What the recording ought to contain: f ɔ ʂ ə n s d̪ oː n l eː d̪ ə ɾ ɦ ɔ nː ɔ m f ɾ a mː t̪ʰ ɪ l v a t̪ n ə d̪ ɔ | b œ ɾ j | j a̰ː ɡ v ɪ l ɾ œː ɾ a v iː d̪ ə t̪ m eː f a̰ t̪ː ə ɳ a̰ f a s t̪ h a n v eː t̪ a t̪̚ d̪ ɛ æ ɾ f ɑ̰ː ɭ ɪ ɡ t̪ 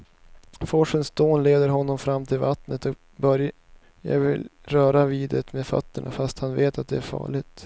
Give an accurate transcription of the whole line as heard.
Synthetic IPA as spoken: f ɔ ʂ ə n s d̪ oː n l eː d̪ ə ɾ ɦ ɔ nː ɔ m f ɾ a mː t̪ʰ ɪ l v a t̪ n ə t̪ ɔ | b œ ɾ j | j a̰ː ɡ v ɪ l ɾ œː ɾ a v iː d̪ ə t̪ m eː f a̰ t̪ː ə ɳ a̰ f a s t̪ h a n v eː t̪ a t̪̚ d̪ ɛ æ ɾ f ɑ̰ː ɭ ɪ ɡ t̪